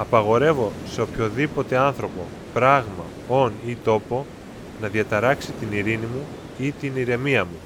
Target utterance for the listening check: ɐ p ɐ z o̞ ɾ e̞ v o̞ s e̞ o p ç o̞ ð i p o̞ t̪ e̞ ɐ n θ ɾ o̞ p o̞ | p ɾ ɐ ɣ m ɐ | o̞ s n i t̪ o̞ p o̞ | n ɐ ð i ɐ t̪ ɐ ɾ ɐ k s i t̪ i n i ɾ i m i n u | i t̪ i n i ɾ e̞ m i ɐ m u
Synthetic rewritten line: ɐ p ɐ ɣ o̞ ɾ e̞ v o̞ s e̞ o p ç o̞ ð i p o̞ t̪ e̞ ɐ n θ ɾ o̞ p o̞ | p ɾ ɐ ɣ m ɐ | o̞ n i t̪ o̞ p o̞ | n ɐ ð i ɐ t̪ ɐ ɾ ɐ k s i t̪ i n i ɾ i n i m u | i t̪ i n i ɾ e̞ m i ɐ m u